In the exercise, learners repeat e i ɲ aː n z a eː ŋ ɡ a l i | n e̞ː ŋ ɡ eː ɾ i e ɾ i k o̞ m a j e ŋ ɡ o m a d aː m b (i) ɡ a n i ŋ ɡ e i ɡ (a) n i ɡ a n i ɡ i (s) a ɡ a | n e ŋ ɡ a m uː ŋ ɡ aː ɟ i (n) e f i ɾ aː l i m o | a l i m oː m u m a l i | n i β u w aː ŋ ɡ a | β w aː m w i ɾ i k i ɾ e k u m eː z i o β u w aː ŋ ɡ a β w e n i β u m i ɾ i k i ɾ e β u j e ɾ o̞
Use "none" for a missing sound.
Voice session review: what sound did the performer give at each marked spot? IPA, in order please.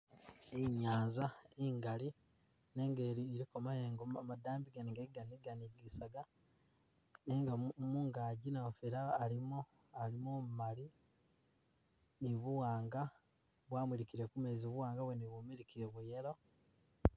i, a, s, n

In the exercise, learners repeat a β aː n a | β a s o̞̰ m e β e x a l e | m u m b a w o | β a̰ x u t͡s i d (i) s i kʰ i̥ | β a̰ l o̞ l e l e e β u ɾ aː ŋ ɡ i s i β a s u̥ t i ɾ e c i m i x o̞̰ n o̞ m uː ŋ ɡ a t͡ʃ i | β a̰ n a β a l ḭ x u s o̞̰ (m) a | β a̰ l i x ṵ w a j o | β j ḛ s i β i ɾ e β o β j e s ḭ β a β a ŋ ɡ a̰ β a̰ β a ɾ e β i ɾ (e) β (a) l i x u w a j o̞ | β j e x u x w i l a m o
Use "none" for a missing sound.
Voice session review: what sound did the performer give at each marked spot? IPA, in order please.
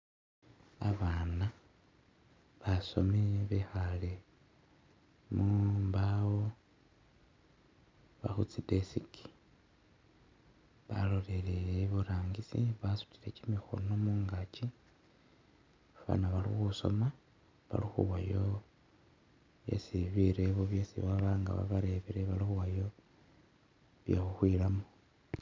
e, m, e, a

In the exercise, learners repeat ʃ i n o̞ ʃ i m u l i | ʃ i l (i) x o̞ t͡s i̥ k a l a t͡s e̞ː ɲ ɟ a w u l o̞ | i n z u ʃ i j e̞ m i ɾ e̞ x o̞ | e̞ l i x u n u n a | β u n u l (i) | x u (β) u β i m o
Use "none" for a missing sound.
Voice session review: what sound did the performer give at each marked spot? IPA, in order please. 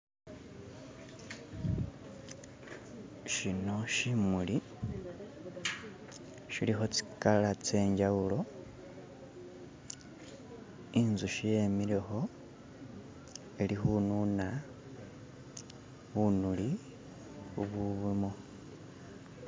i, i, β

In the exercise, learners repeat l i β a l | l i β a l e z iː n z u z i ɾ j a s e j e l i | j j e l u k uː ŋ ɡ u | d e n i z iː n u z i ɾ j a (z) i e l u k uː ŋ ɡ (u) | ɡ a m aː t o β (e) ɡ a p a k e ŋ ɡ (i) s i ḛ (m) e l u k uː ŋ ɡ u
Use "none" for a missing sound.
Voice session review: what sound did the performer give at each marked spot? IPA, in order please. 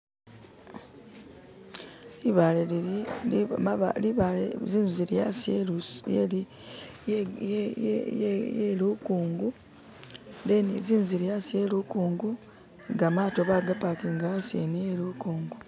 s, u, a, a, n

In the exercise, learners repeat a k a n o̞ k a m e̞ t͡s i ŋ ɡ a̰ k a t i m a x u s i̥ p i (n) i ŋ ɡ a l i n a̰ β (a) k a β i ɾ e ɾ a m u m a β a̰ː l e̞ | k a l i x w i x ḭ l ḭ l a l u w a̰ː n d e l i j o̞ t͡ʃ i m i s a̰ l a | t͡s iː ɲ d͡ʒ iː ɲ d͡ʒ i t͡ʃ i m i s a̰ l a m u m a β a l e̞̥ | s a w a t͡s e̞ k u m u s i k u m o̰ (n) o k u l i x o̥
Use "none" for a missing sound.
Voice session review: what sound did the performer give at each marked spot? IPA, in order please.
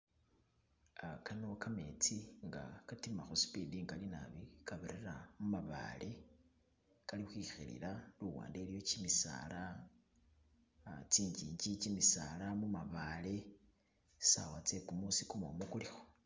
d, i, m

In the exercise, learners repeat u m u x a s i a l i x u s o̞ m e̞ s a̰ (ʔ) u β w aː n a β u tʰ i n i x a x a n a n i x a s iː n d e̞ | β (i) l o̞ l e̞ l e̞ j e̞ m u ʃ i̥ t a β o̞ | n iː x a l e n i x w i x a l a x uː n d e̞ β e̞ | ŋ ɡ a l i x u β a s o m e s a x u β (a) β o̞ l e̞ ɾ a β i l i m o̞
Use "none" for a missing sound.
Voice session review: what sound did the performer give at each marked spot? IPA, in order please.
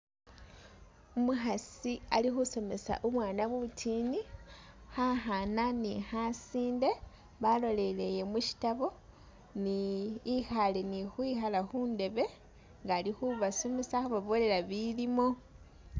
ʔ, a, a

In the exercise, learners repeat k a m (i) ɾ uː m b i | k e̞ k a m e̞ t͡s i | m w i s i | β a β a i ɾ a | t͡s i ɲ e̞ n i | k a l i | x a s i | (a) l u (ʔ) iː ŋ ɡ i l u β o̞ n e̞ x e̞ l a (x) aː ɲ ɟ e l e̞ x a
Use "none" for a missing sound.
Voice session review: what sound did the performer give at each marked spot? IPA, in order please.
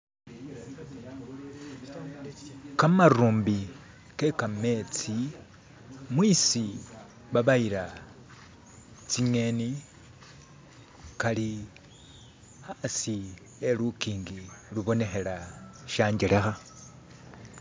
a, e, k, ʃ

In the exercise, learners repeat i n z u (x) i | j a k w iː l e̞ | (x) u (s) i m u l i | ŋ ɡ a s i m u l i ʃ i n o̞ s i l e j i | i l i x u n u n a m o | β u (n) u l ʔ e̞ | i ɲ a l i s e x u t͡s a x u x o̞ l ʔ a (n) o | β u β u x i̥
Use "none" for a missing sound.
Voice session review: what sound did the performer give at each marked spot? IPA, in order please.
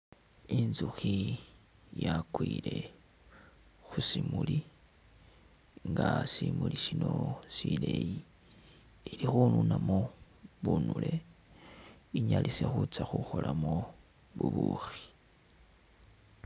x, x, s, n, m

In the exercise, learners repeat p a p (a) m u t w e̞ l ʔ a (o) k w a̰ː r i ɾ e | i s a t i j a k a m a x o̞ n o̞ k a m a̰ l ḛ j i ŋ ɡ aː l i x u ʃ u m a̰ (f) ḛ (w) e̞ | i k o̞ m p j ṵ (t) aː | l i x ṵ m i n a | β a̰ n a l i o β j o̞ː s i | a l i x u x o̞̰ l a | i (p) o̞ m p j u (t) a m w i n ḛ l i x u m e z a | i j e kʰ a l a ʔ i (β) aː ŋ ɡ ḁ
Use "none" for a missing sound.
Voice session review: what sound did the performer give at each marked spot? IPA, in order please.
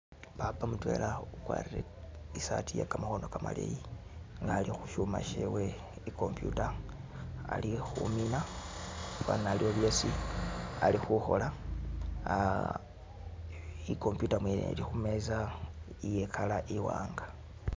a, u, ʃ, w, t, k, t, w

